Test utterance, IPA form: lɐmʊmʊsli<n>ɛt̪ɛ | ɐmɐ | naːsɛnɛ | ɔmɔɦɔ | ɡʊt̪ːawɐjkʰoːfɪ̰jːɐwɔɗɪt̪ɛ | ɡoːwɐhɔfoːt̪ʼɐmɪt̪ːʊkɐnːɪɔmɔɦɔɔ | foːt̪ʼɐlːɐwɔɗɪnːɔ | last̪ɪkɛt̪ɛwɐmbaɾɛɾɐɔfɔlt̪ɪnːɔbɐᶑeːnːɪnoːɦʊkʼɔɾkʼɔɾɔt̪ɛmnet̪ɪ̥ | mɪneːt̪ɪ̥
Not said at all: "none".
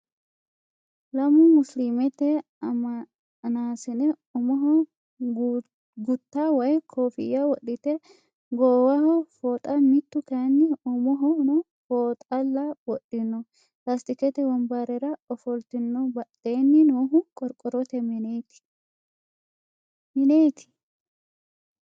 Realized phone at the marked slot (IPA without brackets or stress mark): m